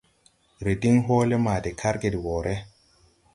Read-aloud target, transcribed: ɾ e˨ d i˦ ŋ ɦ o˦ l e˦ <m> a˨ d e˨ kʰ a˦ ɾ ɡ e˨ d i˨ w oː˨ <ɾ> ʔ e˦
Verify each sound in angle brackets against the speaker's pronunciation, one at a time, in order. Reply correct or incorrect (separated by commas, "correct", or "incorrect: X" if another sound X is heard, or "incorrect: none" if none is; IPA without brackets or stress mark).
correct, correct